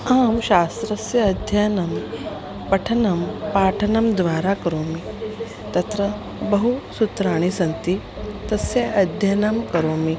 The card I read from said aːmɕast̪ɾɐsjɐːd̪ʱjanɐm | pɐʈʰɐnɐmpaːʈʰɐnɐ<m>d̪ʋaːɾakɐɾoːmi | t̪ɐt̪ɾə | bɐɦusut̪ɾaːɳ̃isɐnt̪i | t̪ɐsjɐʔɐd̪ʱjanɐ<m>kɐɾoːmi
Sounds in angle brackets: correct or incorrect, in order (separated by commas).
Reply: correct, correct